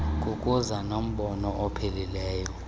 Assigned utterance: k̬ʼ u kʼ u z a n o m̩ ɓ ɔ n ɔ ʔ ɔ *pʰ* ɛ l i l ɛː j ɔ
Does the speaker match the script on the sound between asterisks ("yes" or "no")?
yes